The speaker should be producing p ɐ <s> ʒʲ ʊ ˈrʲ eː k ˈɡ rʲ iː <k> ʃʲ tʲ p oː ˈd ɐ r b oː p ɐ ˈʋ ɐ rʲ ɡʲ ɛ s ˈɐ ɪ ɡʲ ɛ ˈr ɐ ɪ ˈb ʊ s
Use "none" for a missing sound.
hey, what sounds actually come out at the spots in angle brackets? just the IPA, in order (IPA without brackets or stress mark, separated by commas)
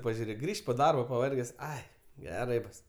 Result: none, none